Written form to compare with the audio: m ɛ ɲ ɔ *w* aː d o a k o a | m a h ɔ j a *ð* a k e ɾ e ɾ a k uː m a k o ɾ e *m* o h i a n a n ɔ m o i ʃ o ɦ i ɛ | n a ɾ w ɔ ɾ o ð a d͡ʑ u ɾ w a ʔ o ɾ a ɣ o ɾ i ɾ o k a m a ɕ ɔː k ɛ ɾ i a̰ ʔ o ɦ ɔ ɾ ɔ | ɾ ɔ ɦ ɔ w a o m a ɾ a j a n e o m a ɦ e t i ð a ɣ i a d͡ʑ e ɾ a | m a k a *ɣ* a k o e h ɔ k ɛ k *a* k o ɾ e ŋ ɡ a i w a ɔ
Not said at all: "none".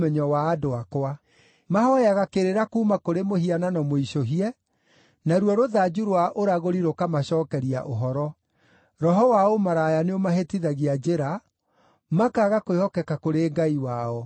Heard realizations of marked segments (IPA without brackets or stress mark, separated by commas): w, ɣ, m, ɣ, a